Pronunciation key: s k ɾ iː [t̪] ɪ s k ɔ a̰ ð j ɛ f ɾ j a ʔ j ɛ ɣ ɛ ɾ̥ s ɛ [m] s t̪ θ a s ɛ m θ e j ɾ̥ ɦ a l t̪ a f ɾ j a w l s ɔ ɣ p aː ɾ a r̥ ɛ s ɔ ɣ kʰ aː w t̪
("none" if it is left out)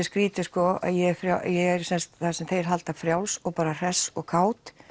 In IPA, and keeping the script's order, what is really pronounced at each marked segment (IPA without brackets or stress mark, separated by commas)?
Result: t̪, n